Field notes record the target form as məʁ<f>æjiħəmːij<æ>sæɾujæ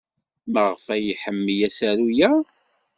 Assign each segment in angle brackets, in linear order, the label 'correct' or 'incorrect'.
correct, correct

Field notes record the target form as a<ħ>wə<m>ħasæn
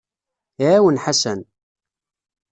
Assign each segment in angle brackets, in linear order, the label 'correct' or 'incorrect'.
incorrect: none, incorrect: n

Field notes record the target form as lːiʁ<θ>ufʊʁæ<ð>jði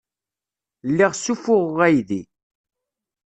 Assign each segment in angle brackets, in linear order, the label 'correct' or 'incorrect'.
incorrect: s, incorrect: none

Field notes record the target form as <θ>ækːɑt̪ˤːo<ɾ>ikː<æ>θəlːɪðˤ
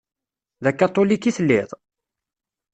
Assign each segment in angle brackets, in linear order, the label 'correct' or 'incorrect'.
incorrect: ð, incorrect: l, incorrect: i

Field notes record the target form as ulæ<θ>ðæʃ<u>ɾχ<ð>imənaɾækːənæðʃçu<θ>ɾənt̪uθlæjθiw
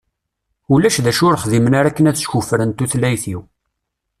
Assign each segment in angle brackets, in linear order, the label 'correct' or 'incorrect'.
incorrect: ʃ, incorrect: ʊ, correct, incorrect: f

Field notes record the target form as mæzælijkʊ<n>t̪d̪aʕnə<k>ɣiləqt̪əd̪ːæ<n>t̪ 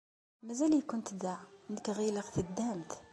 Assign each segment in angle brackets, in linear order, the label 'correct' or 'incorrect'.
correct, correct, incorrect: m

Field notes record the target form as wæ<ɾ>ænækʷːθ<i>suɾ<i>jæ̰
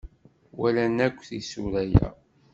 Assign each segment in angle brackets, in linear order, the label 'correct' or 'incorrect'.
incorrect: l, correct, incorrect: æ

